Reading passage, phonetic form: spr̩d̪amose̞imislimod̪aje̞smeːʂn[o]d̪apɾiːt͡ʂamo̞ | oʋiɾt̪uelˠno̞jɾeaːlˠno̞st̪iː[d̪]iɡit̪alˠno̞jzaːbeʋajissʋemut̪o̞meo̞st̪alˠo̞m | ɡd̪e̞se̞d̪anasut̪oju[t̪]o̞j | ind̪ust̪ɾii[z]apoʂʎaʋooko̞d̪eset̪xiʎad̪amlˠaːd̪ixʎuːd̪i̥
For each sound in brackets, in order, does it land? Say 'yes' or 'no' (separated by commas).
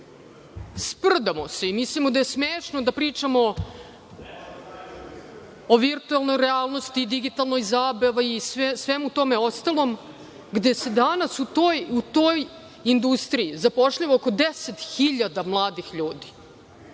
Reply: yes, yes, yes, yes